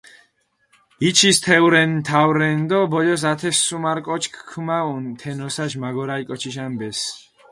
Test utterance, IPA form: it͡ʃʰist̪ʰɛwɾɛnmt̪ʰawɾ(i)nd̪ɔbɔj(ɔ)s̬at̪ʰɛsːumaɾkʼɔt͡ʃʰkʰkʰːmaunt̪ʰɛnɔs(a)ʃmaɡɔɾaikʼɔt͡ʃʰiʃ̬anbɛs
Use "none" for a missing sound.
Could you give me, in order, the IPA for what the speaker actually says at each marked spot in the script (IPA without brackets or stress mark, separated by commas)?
ɛ, ɔ, a